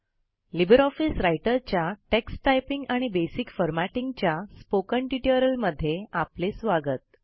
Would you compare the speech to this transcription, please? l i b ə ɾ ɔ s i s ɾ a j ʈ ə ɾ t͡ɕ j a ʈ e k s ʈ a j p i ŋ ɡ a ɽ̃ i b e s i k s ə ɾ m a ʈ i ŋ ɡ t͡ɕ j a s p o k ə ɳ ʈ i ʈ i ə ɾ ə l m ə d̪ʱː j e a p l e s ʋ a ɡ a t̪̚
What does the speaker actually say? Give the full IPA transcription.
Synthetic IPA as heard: l i b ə ɾ ɔ f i s ɾ a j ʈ ə ɾ t͡ɕ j a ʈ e k s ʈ a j p i ŋ ɡ a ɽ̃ i b e s i k f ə ɾ m a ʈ i ŋ ɡ t͡ɕ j a s p o k ə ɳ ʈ i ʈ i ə ɾ ə l m ə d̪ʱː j e a p l e s ʋ a ɡ ə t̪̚